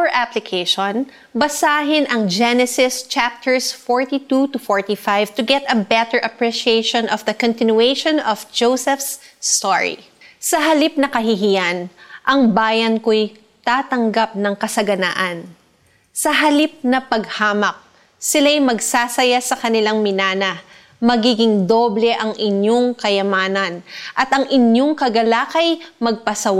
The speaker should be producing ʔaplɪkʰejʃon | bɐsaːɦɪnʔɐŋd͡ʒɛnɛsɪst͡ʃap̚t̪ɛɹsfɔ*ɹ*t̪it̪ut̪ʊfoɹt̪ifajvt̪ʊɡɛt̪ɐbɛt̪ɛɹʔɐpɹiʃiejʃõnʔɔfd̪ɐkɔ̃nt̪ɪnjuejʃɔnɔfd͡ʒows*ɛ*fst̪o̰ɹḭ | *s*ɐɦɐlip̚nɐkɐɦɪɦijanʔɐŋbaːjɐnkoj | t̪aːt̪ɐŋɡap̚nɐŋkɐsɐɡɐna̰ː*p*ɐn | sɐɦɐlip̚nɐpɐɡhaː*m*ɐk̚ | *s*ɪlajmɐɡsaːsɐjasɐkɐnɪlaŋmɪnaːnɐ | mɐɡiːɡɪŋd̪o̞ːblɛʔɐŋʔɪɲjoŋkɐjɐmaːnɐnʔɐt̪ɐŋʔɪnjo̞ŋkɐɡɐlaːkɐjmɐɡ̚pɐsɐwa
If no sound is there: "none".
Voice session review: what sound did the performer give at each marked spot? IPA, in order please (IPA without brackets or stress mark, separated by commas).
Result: ɹ, ɛ, s, ʔ, m, s